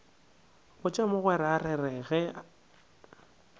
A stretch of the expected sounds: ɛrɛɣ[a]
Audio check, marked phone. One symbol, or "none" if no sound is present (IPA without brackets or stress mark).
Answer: ɛ